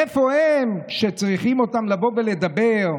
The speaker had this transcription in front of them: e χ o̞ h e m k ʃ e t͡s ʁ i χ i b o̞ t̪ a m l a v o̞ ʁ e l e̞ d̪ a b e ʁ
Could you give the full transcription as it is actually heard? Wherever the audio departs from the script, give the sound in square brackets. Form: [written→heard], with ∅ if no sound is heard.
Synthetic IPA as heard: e [χ→f] o̞ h e m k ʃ e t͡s ʁ i χ i [b→m] o̞ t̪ a m l a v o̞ [ʁ→v] e l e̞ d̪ a b e ʁ